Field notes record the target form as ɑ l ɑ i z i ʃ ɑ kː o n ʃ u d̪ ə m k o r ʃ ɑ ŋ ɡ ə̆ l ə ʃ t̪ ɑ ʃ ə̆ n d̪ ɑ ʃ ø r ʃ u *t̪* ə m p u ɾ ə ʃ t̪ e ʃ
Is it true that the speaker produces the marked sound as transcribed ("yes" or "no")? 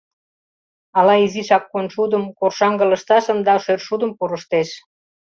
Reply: no